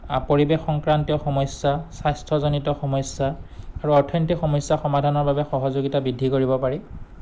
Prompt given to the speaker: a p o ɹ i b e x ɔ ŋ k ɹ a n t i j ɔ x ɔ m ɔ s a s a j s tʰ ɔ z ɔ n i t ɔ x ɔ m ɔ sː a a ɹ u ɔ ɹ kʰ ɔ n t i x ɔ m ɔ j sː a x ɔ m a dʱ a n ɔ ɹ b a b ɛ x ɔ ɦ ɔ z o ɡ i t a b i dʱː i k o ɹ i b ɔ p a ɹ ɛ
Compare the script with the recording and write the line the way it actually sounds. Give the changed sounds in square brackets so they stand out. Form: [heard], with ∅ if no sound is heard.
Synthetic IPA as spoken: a p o ɹ i b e x ɔ ŋ k ɹ a n t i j ɔ x ɔ m ɔ s a s a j s tʰ ɔ z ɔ n i t ɔ x ɔ m ɔ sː a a ɹ u ɔ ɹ [tʰ] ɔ n t i x ɔ m ɔ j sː a x ɔ m a dʱ a n ɔ ɹ b a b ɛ x ɔ ɦ ɔ z o ɡ i t a b i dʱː i k o ɹ i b ɔ p a ɹ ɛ